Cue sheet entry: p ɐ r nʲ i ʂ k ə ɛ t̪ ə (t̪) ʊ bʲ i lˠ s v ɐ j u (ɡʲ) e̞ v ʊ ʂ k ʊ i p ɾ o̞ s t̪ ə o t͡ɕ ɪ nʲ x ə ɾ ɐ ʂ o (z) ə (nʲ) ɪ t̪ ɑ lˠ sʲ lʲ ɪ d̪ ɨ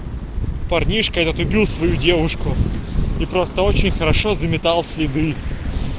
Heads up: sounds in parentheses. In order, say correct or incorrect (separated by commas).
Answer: correct, incorrect, correct, incorrect